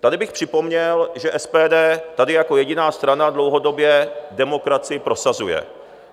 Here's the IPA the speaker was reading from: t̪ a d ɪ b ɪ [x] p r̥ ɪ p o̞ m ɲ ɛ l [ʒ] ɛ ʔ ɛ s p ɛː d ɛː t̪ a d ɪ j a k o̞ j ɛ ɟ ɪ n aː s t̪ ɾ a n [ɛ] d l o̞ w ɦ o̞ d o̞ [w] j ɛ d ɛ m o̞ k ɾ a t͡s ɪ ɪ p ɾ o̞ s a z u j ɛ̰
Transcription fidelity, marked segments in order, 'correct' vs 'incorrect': correct, correct, incorrect: a, incorrect: b

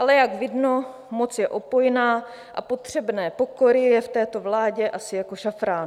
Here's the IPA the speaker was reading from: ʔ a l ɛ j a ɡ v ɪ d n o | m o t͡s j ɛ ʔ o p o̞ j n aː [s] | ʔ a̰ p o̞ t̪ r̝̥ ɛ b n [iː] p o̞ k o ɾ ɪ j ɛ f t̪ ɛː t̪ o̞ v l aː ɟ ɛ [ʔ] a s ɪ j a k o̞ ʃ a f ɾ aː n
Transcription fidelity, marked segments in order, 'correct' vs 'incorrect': incorrect: none, incorrect: ɛː, correct

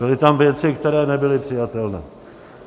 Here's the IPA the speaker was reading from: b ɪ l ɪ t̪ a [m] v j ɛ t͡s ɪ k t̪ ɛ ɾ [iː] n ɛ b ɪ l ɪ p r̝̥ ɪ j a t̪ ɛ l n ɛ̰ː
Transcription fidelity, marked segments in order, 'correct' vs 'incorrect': correct, incorrect: ɛː

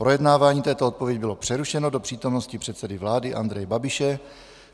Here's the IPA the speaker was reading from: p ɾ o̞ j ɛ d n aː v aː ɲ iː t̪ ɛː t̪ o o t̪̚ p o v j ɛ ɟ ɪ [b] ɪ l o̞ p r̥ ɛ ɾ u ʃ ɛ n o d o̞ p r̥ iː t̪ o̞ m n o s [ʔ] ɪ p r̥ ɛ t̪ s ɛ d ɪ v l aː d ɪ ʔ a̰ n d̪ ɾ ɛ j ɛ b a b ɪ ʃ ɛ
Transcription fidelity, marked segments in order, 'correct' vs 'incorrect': correct, incorrect: c

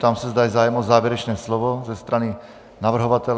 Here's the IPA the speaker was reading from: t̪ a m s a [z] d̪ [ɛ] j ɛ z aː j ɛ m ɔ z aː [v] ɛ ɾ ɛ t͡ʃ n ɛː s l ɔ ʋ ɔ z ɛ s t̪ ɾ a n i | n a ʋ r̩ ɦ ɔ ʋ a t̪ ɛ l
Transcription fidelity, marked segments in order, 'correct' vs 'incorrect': correct, incorrect: a, incorrect: ʋ

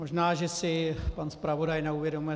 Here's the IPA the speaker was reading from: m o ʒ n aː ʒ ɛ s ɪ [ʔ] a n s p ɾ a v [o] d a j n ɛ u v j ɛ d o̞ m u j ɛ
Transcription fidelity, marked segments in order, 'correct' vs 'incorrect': incorrect: p, correct

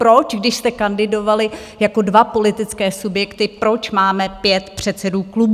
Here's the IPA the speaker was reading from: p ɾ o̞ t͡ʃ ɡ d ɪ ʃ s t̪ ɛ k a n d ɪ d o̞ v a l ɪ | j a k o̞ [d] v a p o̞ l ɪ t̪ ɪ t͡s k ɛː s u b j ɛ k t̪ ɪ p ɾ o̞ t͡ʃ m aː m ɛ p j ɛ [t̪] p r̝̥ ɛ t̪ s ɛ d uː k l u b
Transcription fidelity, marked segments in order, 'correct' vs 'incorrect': correct, correct

